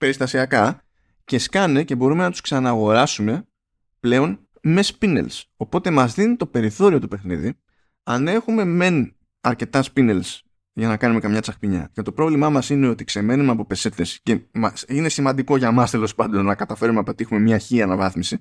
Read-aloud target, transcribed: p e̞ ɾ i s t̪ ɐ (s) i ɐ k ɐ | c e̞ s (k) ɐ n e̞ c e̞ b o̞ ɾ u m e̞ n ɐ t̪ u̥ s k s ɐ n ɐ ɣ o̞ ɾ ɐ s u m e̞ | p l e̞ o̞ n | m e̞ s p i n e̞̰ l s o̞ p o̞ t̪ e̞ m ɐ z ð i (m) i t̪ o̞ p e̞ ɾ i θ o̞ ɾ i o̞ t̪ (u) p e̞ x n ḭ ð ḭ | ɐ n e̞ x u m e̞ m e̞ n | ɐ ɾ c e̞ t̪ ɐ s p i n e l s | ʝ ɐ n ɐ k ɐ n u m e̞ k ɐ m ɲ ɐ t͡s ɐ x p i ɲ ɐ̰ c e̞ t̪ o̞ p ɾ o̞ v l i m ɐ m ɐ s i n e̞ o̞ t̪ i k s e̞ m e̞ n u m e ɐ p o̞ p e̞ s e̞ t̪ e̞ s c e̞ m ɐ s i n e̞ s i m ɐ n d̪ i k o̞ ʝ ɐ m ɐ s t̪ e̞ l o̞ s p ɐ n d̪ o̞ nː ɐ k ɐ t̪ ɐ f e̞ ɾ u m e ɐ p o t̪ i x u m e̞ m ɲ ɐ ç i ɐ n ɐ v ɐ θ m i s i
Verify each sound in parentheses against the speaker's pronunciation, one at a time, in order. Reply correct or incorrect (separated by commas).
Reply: correct, correct, incorrect, correct